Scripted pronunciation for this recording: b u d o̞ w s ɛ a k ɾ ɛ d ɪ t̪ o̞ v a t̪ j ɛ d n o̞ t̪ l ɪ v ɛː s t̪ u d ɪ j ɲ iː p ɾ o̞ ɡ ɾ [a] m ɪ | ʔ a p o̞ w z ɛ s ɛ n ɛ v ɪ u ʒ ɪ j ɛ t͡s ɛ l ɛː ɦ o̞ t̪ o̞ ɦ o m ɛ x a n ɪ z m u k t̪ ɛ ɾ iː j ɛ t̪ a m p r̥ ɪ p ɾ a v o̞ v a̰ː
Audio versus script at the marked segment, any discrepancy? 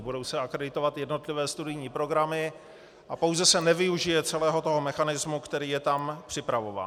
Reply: no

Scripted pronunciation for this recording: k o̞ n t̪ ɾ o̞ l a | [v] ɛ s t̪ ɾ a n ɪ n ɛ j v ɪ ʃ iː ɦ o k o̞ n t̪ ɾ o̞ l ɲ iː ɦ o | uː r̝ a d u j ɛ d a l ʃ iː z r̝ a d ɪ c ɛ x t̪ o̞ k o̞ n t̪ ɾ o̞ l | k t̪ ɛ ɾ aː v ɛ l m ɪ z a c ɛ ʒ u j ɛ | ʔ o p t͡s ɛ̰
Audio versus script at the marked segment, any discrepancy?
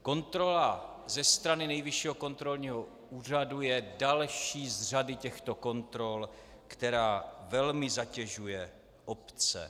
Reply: yes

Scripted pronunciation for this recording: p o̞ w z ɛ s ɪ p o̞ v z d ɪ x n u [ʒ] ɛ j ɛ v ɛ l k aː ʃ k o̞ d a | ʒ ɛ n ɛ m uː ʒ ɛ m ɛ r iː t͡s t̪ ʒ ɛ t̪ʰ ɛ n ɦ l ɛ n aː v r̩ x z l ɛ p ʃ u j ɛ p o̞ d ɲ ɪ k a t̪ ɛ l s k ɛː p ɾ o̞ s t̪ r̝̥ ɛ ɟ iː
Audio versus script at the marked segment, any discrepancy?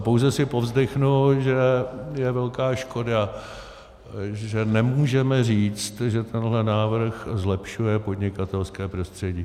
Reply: no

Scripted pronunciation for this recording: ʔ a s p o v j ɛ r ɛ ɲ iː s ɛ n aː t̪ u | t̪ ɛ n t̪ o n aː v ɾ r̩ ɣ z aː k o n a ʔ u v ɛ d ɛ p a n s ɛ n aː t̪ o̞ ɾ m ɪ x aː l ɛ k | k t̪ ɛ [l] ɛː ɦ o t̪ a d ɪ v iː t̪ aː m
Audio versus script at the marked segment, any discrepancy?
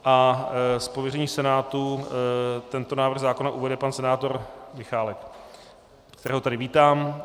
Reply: yes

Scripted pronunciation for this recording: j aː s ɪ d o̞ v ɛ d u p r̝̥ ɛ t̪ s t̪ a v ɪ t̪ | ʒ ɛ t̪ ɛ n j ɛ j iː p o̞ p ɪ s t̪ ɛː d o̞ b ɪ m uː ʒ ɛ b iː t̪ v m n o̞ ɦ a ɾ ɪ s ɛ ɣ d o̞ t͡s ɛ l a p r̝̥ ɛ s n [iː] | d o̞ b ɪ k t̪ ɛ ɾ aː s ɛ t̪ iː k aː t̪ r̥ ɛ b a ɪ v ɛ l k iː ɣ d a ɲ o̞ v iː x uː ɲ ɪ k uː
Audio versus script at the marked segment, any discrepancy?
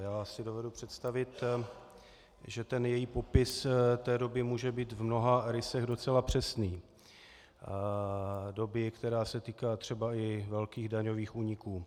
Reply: no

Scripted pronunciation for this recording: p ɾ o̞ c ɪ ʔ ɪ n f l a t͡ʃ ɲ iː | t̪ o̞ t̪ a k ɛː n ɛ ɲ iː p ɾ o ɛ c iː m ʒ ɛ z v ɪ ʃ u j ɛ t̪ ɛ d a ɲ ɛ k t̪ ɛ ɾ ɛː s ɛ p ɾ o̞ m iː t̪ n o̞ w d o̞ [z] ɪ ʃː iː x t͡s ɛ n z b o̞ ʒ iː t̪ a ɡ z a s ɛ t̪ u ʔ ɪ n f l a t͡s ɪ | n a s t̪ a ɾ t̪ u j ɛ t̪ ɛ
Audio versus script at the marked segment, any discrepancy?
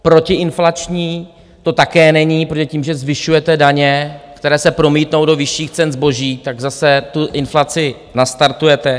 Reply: yes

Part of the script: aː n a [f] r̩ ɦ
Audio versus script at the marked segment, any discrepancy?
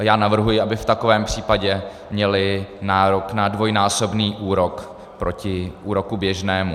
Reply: yes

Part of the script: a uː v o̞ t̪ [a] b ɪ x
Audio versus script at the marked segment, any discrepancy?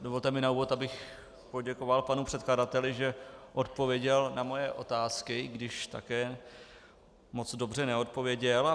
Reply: no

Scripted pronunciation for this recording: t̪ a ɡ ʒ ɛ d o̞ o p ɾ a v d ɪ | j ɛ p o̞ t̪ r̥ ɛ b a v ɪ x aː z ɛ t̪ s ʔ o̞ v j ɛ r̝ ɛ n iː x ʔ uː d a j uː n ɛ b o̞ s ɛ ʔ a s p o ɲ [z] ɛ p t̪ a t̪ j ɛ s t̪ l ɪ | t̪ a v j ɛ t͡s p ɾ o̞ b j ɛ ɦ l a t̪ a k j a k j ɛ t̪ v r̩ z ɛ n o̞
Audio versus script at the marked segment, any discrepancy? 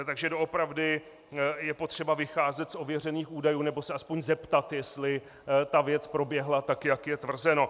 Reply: no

